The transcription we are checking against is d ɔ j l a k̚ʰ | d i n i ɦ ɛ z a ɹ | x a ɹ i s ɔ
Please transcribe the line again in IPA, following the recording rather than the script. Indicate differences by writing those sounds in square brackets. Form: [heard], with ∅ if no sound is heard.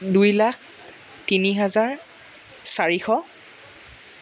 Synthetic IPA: d [u] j l a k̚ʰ | [t] i n i ɦ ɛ z a ɹ | [s] a ɹ i [x] ɔ